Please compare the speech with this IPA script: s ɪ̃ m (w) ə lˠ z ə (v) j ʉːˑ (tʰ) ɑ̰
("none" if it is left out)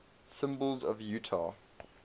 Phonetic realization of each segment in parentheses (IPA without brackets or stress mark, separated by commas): b, v, tʰ